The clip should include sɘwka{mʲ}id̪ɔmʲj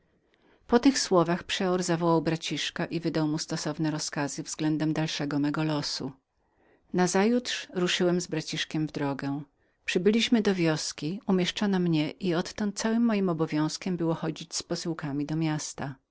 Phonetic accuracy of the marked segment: correct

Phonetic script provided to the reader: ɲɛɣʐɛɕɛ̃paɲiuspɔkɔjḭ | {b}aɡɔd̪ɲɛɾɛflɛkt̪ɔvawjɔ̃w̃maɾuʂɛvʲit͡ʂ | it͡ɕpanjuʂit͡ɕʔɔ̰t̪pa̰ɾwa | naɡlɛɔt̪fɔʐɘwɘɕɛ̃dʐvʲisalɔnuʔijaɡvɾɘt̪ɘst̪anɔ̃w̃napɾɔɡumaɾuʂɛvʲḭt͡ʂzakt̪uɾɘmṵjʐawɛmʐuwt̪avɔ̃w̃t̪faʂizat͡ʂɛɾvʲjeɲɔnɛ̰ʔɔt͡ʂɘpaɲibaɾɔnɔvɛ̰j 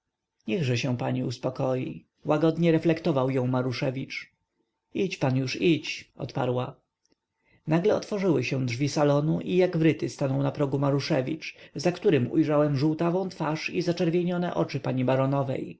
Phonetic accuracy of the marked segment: incorrect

